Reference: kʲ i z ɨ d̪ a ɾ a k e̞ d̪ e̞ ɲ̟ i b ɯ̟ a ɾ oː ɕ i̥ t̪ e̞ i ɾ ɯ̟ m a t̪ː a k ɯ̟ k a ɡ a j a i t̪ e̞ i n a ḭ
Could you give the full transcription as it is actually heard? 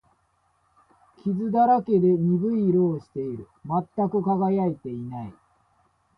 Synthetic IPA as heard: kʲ i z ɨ d̪ a ɾ a k e̞ d̪ e̞ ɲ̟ i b ɯ̟ i ɾ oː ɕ i̥ t̪ e̞ i ɾ ɯ̟ m a t̪ː a k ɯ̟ k a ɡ a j a i t̪ e̞ i n a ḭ